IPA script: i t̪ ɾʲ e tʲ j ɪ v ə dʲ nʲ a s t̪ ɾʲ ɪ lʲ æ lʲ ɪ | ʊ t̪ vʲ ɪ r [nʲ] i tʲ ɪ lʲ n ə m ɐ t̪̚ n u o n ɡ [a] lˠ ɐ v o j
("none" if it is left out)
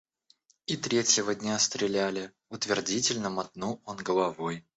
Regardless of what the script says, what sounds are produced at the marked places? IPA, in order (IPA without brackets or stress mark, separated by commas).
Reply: dʲ, ə